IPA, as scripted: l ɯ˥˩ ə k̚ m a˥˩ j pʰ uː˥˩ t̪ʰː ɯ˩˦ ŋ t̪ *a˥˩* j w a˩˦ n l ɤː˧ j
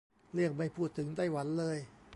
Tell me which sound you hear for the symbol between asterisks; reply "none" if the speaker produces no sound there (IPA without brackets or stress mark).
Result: a˥˩